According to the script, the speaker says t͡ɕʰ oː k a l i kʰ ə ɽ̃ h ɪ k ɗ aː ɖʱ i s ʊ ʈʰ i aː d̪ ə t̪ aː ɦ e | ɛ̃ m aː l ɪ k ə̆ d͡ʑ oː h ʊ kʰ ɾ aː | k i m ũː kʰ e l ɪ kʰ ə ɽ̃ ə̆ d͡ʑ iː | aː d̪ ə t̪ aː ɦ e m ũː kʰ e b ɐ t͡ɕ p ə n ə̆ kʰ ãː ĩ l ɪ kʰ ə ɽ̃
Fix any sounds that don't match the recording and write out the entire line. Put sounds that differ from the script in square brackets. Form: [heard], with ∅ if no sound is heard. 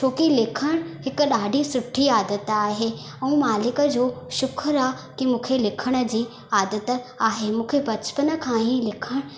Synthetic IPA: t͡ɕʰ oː k [i] l [ɪ] kʰ ə ɽ̃ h ɪ k ɗ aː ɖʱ i s ʊ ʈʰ i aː d̪ ə t̪ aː ɦ e | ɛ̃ m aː l ɪ k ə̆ d͡ʑ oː [ʃ] ʊ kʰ ɾ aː | k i m ũː kʰ e l ɪ kʰ ə ɽ̃ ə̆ d͡ʑ iː | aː d̪ ə t̪ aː ɦ e m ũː kʰ e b ɐ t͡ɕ p ə n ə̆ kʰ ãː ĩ l ɪ kʰ ə ɽ̃

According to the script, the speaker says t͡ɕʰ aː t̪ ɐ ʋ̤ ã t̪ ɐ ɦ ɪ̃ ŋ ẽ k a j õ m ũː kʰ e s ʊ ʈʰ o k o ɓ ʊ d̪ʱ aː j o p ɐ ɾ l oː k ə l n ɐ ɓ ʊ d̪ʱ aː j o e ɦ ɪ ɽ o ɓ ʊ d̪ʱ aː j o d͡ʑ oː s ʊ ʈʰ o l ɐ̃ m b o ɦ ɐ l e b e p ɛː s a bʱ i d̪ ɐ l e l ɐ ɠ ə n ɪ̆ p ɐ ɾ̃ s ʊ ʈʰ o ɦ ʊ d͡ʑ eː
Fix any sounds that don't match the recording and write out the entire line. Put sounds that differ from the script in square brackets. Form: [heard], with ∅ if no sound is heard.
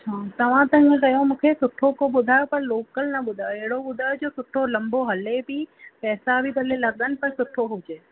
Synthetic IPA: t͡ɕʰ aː t̪ ɐ ʋ̤ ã t̪ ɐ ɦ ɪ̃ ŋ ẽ k [ɐ] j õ m ũː kʰ e s ʊ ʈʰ o k o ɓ ʊ d̪ʱ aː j o p ɐ ɾ l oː k ə l n ɐ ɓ ʊ d̪ʱ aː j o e ɦ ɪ ɽ o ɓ ʊ d̪ʱ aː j o d͡ʑ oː s ʊ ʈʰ o l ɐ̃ m b o ɦ ɐ l e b [i] p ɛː s a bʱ i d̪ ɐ l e l ɐ ɠ ə n ɪ̆ p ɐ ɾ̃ s ʊ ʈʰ o ɦ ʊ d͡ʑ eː

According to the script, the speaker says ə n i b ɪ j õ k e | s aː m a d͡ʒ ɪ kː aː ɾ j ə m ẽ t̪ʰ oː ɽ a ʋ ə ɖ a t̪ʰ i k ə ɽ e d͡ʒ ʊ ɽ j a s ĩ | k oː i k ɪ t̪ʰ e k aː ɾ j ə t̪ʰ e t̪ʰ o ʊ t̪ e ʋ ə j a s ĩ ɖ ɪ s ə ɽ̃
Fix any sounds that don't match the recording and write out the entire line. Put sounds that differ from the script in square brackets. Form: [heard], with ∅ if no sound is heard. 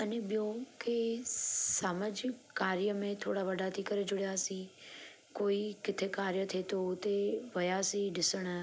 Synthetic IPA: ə n [e] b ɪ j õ k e | s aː m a d͡ʒ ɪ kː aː ɾ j ə m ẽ t̪ʰ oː ɽ a ʋ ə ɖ a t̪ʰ i k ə [ɾ] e d͡ʒ ʊ ɽ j a s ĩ | k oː i k ɪ t̪ʰ e k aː ɾ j ə t̪ʰ e [t̪] o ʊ t̪ e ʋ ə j a s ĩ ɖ ɪ s ə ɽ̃

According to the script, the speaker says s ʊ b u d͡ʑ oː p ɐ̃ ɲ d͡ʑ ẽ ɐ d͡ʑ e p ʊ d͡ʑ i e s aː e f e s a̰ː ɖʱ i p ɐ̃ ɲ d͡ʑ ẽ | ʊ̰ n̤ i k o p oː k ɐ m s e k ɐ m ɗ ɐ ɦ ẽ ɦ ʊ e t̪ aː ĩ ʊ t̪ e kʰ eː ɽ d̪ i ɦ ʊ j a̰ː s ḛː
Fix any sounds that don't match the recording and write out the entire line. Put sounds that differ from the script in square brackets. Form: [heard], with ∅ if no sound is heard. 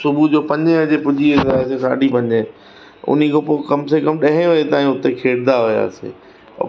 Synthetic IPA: s ʊ b u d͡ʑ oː p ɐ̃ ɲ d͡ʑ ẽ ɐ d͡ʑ e p ʊ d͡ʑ i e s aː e [s] e s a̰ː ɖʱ i p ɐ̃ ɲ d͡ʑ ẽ | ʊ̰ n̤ i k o p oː k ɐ m s e k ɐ m ɗ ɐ ɦ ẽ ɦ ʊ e t̪ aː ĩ ʊ t̪ e kʰ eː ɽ d̪ [a] ɦ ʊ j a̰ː s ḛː

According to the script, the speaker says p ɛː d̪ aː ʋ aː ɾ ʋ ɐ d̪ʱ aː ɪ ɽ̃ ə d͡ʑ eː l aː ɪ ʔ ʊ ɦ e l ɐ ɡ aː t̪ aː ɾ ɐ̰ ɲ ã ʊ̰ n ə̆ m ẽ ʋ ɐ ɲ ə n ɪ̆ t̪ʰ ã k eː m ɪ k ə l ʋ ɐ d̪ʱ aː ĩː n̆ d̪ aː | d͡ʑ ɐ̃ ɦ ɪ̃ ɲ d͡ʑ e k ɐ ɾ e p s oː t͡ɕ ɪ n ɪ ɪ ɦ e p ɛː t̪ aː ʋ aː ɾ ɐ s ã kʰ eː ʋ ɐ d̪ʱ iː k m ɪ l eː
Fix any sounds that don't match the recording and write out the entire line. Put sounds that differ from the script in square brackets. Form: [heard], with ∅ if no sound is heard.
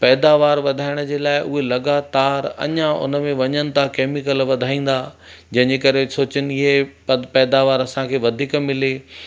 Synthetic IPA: p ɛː d̪ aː ʋ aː ɾ ʋ ɐ d̪ʱ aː ɪ ɽ̃ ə d͡ʑ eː l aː ɪ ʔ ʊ ɦ e l ɐ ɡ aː t̪ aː ɾ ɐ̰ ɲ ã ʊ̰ n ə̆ m ẽ ʋ ɐ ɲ ə n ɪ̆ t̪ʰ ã k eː m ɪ k ə l ʋ ɐ d̪ʱ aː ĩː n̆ d̪ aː | d͡ʑ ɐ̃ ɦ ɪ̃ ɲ d͡ʑ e k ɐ ɾ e [∅] s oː t͡ɕ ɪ n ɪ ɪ ɦ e p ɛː [d̪] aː ʋ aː ɾ ɐ s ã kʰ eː ʋ ɐ d̪ʱ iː k m ɪ l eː

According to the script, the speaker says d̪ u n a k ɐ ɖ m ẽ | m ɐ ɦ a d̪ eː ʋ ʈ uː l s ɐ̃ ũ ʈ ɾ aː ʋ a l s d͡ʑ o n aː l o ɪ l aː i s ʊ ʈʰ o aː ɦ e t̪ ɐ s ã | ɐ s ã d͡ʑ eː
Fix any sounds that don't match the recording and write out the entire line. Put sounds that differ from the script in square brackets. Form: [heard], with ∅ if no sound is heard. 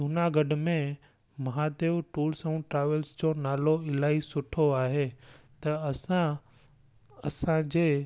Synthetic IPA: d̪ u n a [ɡ] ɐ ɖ m ẽ | m ɐ ɦ a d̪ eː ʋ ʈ uː l s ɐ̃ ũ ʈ ɾ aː ʋ [ə] l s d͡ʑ o n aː l o ɪ l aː i s ʊ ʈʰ o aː ɦ e t̪ ɐ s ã | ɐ s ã d͡ʑ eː

